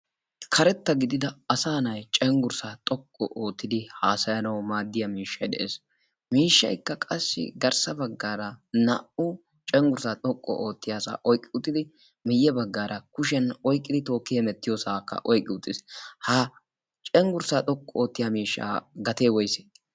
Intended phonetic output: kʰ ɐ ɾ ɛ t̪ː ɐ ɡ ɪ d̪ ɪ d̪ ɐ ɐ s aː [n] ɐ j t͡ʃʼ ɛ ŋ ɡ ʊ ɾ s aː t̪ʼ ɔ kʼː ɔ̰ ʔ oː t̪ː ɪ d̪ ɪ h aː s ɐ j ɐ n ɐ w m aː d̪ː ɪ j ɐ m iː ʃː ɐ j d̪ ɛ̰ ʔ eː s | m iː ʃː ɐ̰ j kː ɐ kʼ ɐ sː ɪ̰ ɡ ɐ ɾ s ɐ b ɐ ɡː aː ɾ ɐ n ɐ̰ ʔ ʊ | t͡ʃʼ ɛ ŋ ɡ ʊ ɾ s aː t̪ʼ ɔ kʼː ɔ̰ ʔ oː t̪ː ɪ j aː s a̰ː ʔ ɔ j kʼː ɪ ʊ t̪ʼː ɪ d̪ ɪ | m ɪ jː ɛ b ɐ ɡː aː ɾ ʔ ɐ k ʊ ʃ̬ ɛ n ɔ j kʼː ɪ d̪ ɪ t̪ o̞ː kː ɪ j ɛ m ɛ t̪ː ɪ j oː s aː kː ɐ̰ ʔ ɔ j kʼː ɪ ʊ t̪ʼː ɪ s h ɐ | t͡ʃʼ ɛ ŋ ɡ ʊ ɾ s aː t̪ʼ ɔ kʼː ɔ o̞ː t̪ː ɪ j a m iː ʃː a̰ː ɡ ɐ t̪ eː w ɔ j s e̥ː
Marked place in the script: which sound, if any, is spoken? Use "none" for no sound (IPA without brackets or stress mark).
n